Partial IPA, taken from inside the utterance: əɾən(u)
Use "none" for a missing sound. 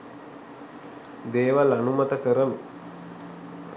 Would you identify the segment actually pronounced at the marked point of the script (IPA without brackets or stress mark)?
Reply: u